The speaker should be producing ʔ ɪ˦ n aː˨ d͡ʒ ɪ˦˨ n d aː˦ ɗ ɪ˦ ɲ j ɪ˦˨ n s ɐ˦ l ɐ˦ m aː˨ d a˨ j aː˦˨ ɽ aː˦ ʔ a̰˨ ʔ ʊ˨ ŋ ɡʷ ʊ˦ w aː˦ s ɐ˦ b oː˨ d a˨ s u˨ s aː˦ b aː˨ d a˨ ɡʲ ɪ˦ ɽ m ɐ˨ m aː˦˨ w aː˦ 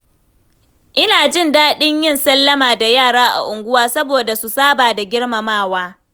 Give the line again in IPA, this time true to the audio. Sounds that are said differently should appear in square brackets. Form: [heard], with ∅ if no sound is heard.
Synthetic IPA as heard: ʔ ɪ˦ n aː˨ d͡ʒ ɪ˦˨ n d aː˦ ɗ ɪ˦ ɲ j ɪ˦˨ n s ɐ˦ [lː] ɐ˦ m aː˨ d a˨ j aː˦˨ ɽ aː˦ ʔ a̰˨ ʔ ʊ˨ ŋ ɡʷ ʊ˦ w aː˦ s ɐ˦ b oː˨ d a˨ s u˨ s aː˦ b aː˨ d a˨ ɡʲ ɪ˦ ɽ m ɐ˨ m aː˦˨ w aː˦